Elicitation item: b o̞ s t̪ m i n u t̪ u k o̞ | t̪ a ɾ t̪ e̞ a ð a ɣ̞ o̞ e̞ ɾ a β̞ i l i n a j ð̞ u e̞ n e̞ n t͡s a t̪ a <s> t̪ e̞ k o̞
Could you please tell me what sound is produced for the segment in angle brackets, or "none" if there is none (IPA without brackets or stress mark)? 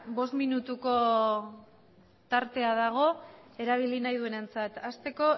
s